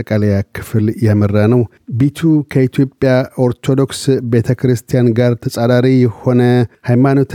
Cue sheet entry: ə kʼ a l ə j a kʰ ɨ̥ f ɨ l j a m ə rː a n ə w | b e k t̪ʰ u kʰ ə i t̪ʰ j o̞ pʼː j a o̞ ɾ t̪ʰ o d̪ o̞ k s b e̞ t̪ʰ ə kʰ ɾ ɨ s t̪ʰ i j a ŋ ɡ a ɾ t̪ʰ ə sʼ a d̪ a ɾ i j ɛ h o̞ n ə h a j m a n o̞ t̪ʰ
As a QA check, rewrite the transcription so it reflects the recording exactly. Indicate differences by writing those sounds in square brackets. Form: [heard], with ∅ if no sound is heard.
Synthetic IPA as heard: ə kʼ a l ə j a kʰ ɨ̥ f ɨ l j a m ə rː a n ə w | b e [∅] t̪ʰ u kʰ ə i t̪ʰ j o̞ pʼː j a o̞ ɾ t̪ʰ o d̪ o̞ k s b e̞ t̪ʰ ə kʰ ɾ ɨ s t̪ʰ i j a [n] ɡ a ɾ t̪ʰ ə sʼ a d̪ a ɾ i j ɛ h o̞ n ə h a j m a n o̞ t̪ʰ